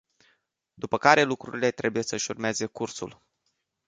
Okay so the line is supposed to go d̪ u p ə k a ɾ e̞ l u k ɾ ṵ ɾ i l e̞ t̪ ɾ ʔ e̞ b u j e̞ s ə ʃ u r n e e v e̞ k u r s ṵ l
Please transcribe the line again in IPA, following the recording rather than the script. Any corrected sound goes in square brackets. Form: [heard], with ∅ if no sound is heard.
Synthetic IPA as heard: d̪ u p ə k a ɾ e̞ l u k ɾ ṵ ɾ i l e̞ t̪ ɾ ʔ e̞ b u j e̞ s ə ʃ u r [m] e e [z] e̞ k u r s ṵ l